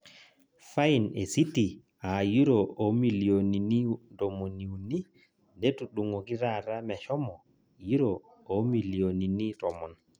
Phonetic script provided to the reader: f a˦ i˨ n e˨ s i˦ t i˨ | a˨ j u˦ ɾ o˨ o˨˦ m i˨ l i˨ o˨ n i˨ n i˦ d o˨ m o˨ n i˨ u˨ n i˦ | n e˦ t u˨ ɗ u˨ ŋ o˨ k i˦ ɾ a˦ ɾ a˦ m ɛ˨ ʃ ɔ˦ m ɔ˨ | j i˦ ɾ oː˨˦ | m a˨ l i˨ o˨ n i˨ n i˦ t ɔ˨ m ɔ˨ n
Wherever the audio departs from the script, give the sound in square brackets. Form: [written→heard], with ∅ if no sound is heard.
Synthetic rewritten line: f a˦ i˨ n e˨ s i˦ t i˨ | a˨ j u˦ ɾ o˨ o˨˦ m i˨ l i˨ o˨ n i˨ n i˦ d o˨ m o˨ n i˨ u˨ n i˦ | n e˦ t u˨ ɗ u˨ ŋ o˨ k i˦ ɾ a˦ ɾ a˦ m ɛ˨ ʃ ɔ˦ m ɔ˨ | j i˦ ɾ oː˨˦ | m [a˨→i˨] l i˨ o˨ n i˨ n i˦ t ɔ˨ m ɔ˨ n